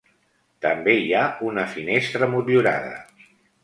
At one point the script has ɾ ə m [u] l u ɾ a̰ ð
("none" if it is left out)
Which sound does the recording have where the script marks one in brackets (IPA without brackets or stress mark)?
u